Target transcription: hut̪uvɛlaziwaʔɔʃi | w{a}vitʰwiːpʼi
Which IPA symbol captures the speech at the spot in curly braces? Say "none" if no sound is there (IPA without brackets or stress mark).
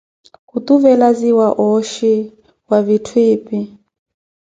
a